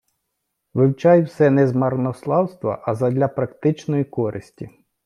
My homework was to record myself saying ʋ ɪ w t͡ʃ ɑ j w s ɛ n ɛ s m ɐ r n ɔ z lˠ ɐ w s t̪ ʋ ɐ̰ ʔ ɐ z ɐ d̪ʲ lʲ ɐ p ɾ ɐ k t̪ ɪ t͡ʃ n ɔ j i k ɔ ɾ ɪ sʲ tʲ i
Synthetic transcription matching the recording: ʋ ɪ w t͡ʃ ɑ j w s ɛ n ɛ z m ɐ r n ɔ s lˠ ɑ w s t̪ ʋ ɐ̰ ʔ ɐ z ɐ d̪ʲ lʲ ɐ p ɾ ɐ k t̪ ɪ t͡ʃ n ɔ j i k ɔ ɾ ɪ sʲ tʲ i